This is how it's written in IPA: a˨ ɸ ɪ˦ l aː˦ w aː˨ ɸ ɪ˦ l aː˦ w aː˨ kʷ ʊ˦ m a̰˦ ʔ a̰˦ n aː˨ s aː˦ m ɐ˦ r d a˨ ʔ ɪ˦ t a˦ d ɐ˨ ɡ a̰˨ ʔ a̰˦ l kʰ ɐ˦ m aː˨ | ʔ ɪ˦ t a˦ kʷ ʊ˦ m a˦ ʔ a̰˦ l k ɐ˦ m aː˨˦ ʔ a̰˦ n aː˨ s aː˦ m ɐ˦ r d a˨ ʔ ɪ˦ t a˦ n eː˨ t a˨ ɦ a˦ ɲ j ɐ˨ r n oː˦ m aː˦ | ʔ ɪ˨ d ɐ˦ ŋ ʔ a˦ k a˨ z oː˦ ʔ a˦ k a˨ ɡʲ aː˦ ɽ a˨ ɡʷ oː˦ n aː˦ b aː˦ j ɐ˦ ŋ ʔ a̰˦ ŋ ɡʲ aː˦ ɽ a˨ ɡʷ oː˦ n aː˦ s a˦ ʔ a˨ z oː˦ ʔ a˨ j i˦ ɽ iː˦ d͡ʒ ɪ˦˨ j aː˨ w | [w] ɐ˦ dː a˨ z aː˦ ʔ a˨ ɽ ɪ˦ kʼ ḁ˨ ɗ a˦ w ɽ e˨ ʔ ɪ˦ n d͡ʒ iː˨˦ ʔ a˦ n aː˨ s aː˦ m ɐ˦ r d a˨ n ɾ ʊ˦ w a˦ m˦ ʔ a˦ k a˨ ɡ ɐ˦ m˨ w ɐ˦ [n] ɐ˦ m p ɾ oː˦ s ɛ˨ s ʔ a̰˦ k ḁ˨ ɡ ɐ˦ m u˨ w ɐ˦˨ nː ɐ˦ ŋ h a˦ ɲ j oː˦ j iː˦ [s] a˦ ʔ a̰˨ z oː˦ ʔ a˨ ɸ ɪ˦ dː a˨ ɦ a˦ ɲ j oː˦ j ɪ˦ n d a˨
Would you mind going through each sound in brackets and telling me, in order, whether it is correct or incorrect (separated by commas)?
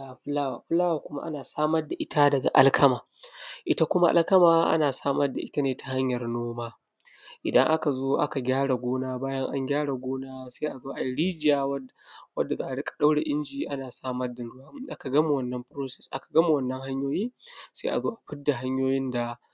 correct, incorrect, correct